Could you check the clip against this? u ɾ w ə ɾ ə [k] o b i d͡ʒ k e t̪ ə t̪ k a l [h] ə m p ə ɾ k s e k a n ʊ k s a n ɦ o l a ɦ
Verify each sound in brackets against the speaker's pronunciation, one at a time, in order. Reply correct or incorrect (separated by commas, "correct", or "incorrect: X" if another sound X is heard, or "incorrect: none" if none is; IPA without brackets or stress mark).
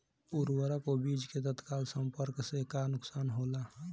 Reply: correct, incorrect: s